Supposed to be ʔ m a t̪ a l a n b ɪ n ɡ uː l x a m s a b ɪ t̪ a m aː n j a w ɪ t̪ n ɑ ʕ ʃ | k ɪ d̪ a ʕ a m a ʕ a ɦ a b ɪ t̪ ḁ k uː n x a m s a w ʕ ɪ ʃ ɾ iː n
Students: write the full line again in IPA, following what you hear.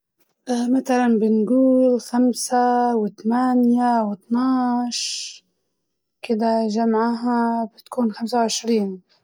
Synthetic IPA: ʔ m a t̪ a l a n b ɪ n ɡ uː l x a m s a w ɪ t̪ a m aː n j a w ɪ t̪ n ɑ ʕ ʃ | k ɪ d̪ a ʒ a m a ʕ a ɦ a b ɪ t̪ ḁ k uː n x a m s a w ʕ ɪ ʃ ɾ iː n